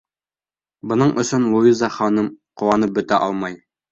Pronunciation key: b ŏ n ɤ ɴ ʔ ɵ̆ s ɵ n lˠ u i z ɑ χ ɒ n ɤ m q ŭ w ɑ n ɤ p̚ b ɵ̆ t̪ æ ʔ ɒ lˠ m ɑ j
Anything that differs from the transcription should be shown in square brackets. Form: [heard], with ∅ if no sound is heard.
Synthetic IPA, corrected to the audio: b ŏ n ɤ ɴ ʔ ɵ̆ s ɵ n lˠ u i z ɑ χ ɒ n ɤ m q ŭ w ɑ n ɤ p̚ b ɵ̆ t̪ æ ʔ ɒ lˠ m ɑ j